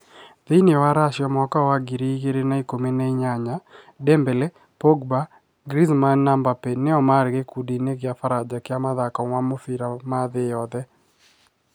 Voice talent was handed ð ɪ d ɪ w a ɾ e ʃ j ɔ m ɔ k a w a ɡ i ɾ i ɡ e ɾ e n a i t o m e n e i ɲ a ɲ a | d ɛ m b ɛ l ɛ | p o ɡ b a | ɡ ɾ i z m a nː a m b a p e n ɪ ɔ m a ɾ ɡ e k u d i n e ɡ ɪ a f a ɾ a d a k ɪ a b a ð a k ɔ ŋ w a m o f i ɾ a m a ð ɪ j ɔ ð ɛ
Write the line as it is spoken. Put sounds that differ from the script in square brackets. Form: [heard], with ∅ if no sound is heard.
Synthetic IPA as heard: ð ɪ [n] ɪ w a ɾ [a] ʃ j ɔ m ɔ k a w a ɡ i ɾ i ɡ e ɾ e n a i [k] o m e n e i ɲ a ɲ a | d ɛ m b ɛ l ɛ | p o ɡ b a | ɡ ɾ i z m a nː a m b a p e n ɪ ɔ m a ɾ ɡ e k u d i n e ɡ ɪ a f a ɾ a [d͡ʒ] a k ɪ a [m] a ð a k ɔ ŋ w a m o f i ɾ a m a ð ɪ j ɔ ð ɛ